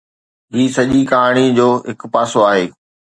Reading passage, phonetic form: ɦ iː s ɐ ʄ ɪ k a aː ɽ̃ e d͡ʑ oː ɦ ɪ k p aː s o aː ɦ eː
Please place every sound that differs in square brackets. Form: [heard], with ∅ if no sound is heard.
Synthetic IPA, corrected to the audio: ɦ iː s ɐ ʄ [i] k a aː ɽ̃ [i] d͡ʑ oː ɦ ɪ k p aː s o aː ɦ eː